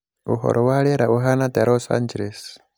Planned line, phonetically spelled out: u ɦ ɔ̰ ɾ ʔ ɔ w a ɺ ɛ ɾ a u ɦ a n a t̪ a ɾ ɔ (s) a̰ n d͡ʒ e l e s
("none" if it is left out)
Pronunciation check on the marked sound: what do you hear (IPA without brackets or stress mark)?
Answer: s